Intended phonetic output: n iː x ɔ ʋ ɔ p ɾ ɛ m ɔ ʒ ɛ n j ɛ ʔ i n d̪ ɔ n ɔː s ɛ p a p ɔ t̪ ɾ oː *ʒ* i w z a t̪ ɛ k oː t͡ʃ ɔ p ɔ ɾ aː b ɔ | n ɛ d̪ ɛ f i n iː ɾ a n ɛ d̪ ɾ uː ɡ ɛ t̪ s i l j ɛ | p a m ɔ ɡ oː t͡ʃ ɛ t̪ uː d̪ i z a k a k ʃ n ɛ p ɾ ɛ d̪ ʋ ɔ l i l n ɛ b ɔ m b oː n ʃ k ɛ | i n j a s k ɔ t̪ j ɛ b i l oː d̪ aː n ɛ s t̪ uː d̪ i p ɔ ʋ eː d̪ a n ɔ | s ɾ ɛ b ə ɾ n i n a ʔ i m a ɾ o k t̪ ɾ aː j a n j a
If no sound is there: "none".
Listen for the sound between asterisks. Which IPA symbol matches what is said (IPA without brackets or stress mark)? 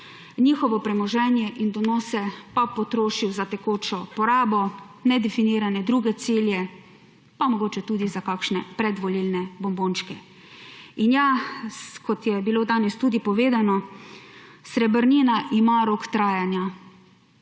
ʃ